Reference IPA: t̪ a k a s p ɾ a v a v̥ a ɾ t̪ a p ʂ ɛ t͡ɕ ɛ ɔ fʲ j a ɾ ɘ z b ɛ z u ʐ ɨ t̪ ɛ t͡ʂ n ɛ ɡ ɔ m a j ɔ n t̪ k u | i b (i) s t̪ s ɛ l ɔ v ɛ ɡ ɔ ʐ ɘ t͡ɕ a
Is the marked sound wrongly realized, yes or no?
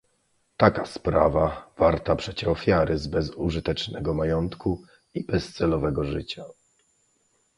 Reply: yes